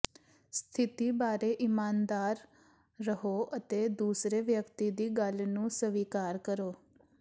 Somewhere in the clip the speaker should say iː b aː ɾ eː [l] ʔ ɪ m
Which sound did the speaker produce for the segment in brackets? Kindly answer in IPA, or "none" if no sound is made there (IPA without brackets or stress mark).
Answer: none